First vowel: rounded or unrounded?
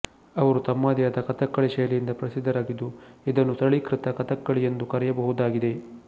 unrounded